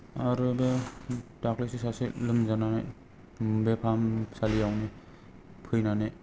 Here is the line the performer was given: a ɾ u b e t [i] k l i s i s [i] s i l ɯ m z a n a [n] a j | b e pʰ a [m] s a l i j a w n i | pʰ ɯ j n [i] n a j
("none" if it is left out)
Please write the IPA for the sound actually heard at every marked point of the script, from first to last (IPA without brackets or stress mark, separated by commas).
a, a, n, m, a